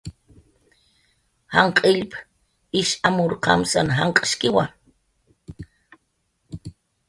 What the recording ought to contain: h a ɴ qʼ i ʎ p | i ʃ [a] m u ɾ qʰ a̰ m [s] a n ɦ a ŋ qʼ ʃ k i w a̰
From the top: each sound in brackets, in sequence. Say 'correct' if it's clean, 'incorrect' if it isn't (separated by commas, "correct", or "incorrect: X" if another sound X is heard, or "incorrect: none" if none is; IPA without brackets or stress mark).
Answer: correct, correct